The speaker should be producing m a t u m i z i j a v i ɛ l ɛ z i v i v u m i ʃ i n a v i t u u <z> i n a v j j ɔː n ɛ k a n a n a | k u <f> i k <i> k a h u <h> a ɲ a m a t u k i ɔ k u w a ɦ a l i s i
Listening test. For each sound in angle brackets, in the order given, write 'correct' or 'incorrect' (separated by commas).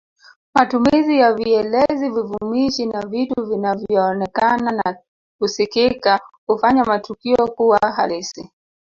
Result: incorrect, incorrect, correct, incorrect